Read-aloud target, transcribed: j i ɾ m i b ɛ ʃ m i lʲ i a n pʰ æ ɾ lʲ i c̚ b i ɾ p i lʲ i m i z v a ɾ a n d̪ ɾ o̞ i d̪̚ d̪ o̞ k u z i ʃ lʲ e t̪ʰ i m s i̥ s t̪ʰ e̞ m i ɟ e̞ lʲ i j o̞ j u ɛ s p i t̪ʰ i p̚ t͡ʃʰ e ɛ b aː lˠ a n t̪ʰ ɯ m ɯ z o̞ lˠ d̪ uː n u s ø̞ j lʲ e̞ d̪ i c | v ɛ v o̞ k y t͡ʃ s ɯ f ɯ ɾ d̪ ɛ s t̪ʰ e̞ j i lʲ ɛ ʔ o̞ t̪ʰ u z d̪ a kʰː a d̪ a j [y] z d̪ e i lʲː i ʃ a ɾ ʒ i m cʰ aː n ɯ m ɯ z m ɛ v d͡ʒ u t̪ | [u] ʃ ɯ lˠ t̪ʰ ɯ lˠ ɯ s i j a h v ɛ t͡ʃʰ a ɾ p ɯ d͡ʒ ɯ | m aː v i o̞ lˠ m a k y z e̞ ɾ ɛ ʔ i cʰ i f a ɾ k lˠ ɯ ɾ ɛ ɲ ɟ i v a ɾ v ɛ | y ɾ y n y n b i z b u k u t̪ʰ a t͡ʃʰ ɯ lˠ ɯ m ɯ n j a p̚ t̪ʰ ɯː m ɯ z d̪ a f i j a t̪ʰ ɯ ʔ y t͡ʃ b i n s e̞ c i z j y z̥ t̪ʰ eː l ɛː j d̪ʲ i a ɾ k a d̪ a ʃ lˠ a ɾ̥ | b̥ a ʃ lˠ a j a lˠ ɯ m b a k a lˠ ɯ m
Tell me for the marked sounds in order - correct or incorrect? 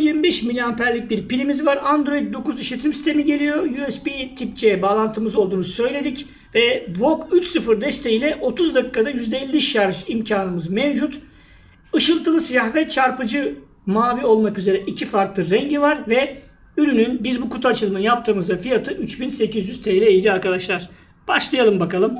correct, incorrect

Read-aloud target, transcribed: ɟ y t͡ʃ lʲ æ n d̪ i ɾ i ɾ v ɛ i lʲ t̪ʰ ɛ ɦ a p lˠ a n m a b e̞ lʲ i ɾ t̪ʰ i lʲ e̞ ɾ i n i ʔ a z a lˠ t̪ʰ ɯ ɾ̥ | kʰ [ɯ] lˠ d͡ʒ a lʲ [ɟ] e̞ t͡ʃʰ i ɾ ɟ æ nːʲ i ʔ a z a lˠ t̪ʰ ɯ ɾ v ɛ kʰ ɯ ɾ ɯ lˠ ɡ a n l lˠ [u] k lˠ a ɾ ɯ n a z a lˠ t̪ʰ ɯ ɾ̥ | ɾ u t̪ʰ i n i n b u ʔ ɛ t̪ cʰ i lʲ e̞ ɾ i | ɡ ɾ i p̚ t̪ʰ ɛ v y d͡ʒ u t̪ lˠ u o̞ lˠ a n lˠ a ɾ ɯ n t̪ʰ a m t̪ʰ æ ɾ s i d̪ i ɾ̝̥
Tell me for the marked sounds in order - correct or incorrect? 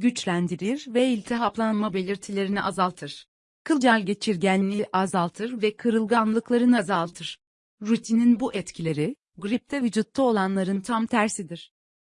correct, correct, incorrect

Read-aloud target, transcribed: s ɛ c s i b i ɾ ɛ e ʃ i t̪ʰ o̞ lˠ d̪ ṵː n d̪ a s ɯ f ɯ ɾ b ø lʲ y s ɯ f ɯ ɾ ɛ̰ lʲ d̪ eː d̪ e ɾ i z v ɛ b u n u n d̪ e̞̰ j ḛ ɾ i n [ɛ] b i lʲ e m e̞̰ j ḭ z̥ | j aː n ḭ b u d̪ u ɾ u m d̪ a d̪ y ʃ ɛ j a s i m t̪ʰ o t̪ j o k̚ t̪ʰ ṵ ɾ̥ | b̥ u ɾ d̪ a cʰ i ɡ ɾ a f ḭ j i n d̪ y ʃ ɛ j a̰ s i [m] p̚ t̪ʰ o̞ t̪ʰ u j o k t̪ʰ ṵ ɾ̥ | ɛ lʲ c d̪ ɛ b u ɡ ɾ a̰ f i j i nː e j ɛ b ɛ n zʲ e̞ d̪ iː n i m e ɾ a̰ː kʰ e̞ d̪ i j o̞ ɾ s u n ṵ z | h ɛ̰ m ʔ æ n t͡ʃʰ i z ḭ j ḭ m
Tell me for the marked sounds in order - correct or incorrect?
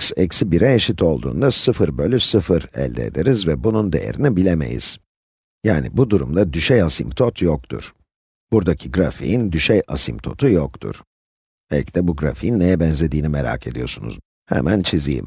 incorrect, correct

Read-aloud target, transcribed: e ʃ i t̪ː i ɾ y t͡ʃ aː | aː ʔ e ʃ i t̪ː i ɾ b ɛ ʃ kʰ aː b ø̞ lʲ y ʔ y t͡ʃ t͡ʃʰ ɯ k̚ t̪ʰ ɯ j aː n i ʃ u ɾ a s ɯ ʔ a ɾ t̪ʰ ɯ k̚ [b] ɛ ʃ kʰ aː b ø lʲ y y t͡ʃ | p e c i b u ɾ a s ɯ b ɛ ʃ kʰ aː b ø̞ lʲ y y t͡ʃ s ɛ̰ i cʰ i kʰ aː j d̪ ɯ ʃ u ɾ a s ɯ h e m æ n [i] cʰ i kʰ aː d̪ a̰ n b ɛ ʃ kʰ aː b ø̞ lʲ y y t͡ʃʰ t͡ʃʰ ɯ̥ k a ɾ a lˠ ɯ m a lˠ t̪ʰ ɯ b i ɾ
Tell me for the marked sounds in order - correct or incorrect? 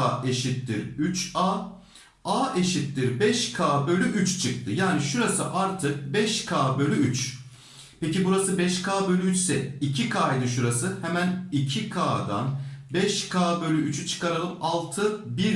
correct, correct

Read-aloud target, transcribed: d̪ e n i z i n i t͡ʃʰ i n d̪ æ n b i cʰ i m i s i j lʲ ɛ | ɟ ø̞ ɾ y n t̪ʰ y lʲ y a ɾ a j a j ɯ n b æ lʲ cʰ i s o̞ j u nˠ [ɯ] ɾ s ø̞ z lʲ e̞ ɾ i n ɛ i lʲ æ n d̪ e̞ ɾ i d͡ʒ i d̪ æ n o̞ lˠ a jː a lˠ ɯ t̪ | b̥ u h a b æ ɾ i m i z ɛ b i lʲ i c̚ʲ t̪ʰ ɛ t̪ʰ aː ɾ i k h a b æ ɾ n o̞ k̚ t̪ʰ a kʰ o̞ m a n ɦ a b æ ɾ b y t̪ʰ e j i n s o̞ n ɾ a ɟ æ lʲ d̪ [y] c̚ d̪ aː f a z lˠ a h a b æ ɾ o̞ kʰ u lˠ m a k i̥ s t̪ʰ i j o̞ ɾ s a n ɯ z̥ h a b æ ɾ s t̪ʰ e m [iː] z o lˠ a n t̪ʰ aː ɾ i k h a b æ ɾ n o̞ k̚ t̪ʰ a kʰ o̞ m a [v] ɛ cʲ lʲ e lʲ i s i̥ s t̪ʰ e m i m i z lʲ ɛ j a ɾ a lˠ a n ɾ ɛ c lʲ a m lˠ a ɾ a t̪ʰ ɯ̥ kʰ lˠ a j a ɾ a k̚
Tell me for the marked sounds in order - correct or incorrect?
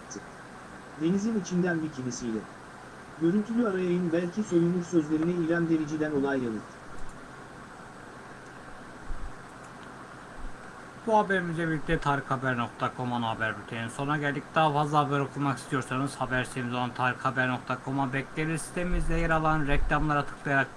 incorrect, incorrect, incorrect, incorrect

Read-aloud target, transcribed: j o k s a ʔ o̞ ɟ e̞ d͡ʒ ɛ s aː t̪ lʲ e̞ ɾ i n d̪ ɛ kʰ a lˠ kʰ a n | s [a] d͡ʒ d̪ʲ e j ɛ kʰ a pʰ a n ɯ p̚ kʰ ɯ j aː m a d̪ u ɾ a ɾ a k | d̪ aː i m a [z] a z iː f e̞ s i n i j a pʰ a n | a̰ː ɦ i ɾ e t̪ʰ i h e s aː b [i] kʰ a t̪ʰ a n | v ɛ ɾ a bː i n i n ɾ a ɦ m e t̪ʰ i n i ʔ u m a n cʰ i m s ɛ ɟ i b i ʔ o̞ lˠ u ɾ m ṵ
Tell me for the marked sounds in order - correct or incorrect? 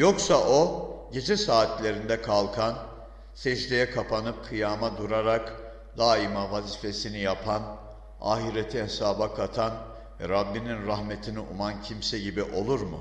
incorrect, incorrect, incorrect

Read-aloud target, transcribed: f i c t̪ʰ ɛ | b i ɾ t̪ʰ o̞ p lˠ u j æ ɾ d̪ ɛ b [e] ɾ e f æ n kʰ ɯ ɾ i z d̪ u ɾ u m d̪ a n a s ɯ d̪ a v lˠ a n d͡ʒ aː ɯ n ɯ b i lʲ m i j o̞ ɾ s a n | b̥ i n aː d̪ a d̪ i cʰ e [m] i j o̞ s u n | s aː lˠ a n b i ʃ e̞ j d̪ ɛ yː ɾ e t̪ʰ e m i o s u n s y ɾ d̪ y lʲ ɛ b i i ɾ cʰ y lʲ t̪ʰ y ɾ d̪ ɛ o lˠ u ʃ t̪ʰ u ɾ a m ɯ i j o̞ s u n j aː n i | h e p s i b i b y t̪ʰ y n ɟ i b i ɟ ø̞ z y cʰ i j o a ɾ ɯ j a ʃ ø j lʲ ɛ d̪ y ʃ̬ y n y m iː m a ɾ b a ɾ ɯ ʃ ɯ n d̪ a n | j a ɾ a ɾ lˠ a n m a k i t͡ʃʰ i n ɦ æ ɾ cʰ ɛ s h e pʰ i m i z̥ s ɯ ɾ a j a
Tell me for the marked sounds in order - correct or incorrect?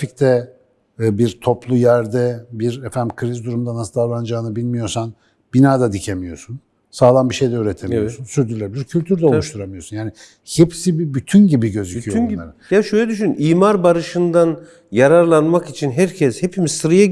incorrect, correct

